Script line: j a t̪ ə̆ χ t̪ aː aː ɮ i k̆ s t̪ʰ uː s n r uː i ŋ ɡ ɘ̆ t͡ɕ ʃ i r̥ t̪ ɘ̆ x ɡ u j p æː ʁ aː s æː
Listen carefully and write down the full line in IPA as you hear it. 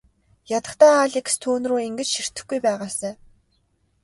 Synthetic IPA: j a t̪ ə̆ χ t̪ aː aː ɮ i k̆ s t̪ʰ uː n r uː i ŋ ɡ ɘ̆ t͡ɕ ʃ i r̥ t̪ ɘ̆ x ɡ u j p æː ʁ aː s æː

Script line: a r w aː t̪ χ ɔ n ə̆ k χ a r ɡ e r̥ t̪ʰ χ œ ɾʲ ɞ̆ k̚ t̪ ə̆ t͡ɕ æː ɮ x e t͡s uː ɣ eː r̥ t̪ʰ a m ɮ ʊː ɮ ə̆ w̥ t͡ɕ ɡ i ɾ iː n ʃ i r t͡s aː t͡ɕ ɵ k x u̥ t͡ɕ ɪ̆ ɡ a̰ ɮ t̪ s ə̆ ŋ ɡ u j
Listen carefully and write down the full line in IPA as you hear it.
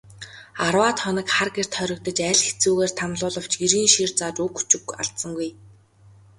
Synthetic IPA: a r w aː t̪ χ ɔ n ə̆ k χ a r ɡ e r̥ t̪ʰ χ œ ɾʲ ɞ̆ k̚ t̪ ə̆ t͡ɕ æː ɮ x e t͡s uː ɣ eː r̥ t̪ʰ a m ɮ ʊː ɮ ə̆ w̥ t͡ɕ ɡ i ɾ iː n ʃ i r t͡s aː t͡ɕ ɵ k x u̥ t͡ɕ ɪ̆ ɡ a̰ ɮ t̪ s ə̆ ŋ ɡ u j

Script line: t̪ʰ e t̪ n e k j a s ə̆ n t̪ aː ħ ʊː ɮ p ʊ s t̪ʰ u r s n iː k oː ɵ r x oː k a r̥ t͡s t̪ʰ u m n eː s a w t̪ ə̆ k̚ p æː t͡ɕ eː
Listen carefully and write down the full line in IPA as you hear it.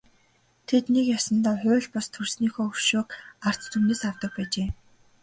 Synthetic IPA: t̪ʰ e t̪ n e k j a s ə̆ n t̪ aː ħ ʊː ɮ p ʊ s t̪ʰ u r s n iː x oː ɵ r ʃ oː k a r̥ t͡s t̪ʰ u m n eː s a w t̪ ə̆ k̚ p æː t͡ɕ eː

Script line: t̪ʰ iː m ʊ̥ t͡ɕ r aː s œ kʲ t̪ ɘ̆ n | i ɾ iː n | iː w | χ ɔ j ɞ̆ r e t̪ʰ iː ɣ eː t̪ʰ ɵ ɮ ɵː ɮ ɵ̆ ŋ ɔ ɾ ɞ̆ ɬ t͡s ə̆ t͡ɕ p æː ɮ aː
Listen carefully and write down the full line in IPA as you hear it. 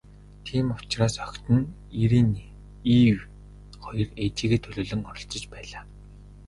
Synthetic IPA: t̪ʰ iː m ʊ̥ t͡ɕ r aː s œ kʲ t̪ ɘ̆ n | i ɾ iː n | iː w | χ ɔ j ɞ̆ r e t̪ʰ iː ɣ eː t̪ʰ ɵ ɮ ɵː ɮ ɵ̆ ŋ ɔ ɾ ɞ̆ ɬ t͡s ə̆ t͡ɕ p æː ɮ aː

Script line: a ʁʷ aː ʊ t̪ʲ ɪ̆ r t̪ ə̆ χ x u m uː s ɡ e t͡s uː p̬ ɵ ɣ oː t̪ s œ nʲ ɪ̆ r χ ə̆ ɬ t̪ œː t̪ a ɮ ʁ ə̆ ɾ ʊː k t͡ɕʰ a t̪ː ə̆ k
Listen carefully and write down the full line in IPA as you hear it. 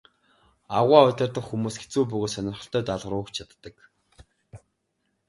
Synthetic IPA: a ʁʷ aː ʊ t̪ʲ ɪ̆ r t̪ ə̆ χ x u m uː s ɡ e t͡s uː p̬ ɵ ɣ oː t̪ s œ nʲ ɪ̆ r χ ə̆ ɬ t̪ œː t̪ a ɮ ʁ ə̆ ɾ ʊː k t͡ɕʰ a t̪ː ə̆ k

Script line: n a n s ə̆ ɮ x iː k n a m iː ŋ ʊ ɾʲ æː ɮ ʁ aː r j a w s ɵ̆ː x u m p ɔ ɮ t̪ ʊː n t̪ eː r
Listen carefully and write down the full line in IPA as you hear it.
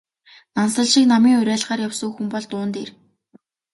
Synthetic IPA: n a n s ə̆ ɮ ʃ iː k n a m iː ŋ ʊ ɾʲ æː ɮ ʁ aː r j a w s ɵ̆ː x u m p ɔ ɮ t̪ ʊː n t̪ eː r

